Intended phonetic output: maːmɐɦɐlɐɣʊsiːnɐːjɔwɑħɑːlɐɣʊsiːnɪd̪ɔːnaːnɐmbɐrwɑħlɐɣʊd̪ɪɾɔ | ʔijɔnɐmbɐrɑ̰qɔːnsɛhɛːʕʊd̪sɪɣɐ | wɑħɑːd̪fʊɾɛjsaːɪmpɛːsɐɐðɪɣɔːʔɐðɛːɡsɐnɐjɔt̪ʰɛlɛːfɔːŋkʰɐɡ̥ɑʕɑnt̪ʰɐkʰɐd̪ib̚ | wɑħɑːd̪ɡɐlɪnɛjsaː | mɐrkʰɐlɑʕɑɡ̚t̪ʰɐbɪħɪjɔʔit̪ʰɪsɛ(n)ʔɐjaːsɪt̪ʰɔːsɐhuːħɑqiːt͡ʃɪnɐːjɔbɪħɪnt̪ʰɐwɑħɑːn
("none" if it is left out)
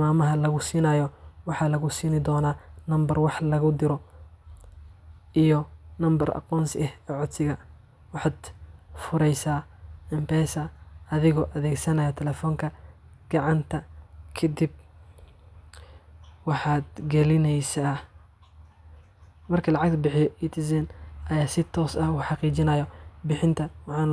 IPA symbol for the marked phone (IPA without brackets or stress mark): n